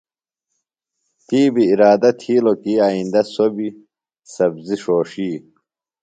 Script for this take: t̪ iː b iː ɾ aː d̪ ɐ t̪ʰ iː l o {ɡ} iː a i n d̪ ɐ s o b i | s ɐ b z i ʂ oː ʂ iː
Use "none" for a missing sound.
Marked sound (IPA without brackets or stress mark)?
k